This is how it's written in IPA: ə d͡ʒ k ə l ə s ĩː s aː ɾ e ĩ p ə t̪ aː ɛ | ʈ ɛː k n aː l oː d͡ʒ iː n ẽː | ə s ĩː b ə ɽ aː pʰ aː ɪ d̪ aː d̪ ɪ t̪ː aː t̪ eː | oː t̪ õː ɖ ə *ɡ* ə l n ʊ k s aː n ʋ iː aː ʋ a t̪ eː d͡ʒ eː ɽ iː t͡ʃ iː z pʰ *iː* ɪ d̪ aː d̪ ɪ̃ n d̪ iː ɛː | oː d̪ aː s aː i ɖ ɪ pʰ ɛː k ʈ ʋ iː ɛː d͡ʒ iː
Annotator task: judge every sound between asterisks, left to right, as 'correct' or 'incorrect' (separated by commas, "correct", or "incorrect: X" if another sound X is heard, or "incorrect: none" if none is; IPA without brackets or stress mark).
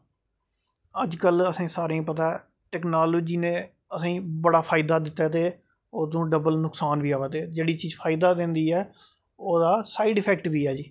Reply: incorrect: b, incorrect: aː